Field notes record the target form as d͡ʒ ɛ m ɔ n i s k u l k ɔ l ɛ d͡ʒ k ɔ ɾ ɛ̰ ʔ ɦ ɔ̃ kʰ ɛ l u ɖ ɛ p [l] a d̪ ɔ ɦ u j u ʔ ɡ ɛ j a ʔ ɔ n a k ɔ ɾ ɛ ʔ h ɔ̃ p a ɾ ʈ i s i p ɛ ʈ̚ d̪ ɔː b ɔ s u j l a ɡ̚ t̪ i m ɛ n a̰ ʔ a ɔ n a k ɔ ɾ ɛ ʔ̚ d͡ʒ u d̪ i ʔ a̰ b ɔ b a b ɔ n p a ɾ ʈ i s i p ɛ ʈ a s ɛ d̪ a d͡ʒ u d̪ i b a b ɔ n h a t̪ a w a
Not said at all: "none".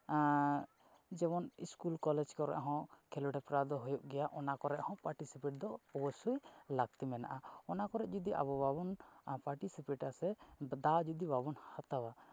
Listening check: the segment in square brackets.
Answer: ɾ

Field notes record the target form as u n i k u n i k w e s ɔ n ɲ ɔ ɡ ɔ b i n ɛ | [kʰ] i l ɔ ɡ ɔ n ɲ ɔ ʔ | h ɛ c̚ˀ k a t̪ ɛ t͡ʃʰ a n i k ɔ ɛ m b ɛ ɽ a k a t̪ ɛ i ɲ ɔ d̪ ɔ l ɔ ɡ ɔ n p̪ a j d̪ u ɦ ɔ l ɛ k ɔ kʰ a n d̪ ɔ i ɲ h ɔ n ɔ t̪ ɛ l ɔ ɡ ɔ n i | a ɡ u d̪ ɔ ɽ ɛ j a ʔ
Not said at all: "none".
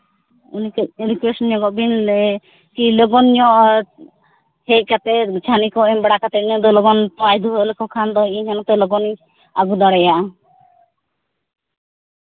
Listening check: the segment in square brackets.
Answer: k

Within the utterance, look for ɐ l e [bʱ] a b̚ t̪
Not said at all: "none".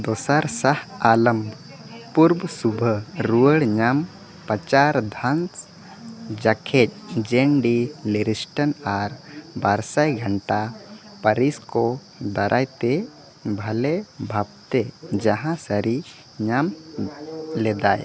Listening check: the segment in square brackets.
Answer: bʱ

